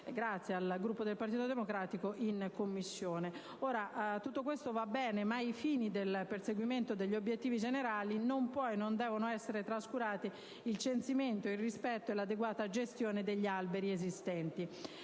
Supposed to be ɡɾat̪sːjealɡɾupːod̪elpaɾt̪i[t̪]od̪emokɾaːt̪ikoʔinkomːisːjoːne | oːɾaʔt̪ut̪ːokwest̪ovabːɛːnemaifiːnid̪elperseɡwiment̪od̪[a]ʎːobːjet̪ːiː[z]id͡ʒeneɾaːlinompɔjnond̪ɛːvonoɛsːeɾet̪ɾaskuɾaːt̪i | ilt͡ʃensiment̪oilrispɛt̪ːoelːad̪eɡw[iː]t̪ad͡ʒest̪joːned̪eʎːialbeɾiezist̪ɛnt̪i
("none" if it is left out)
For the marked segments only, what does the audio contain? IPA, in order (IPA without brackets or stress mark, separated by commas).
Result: t̪, e, v, aː